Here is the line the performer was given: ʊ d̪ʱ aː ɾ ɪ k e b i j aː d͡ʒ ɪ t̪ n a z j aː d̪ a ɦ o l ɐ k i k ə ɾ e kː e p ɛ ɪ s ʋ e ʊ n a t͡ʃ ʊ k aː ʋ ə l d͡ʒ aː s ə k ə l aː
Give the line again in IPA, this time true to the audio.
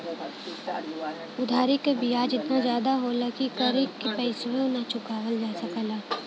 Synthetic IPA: ʊ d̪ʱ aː ɾ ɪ k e b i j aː d͡ʒ ɪ t̪ n a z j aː d̪ a ɦ o l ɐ k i k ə ɾ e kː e p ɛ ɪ s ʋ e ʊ n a t͡ʃ ʊ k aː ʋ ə l d͡ʒ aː s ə k ə l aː